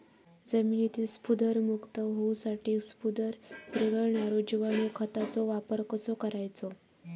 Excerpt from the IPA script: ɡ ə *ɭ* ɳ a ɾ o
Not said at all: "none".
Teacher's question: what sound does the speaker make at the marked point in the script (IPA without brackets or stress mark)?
ɭ